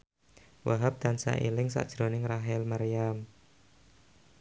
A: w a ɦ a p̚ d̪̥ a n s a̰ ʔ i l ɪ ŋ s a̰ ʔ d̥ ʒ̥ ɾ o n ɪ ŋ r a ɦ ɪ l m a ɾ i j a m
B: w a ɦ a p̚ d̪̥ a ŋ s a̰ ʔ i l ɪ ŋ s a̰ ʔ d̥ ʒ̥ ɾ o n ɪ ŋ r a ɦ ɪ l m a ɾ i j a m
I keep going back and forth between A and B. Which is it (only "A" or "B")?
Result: A